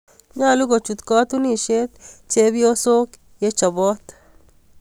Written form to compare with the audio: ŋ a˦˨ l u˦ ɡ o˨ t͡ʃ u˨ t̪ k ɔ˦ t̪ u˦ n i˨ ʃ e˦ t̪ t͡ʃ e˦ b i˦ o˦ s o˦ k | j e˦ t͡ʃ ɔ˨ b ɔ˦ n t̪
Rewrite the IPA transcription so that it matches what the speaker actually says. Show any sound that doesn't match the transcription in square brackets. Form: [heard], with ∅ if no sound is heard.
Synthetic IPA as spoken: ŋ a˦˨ l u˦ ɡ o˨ t͡ʃ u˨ t̪ k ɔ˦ t̪ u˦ n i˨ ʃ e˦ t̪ t͡ʃ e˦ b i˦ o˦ s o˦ k | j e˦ t͡ʃ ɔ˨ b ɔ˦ [∅] t̪